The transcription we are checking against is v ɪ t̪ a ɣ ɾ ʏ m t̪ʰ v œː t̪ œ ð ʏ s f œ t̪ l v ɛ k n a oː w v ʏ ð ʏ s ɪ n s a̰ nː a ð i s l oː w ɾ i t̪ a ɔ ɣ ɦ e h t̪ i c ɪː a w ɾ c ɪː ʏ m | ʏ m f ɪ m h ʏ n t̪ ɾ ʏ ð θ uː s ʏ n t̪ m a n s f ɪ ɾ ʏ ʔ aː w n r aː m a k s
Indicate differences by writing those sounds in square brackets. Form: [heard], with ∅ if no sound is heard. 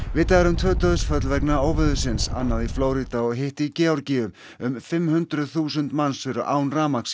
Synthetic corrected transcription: v ɪ t̪ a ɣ ɾ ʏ m t̪ʰ v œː t̪ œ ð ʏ s f œ t̪ l v ɛ k n a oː w v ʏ ð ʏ s ɪ n s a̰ nː a ð i [f] l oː w ɾ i t̪ a ɔ ɣ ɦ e h t̪ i c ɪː a w ɾ c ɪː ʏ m | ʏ m f ɪ m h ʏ n t̪ ɾ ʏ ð θ uː s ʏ n t̪ m a n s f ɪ ɾ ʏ ʔ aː w n r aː m a k s